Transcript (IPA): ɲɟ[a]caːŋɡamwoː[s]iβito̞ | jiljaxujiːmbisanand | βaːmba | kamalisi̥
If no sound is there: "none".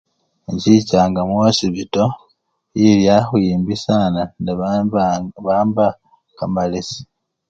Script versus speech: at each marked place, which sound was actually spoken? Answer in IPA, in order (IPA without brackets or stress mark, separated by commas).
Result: i, s